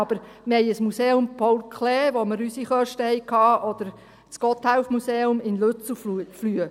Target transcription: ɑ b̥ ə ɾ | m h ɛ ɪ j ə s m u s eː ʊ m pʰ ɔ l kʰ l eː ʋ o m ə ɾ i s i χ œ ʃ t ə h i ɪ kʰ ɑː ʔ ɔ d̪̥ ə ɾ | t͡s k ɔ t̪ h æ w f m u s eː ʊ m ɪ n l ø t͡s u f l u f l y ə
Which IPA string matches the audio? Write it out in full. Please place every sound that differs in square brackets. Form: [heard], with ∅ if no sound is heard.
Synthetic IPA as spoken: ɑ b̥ ə ɾ | m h ɛ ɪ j ə s m u s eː ʊ m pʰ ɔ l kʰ l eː ʋ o m ə ɾ [y] s i χ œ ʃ t ə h [ɛ] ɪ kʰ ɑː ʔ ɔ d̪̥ ə ɾ | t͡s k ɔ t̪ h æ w f m u s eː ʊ m ɪ n l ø t͡s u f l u f l y ə